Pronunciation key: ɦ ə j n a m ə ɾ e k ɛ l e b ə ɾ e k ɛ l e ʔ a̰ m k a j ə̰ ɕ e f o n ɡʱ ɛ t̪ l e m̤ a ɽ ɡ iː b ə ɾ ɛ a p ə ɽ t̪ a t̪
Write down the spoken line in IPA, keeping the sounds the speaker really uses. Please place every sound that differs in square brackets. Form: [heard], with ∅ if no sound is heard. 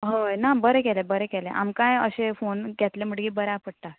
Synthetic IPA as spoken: ɦ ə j n a [b] ə ɾ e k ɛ l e b ə ɾ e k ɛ l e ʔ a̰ m k a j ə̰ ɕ e f o n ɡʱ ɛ t̪ l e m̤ [ə] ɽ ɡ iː b ə ɾ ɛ a p ə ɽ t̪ a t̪